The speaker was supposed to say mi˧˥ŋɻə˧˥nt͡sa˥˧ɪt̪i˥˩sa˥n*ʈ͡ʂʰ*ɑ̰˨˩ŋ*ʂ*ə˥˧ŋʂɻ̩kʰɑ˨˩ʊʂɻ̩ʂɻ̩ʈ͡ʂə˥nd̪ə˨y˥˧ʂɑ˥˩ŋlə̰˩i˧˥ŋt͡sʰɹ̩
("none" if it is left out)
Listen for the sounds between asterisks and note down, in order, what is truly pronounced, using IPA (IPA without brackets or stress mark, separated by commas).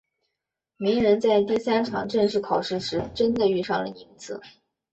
ʈ͡ʂʰ, ʈ͡ʂ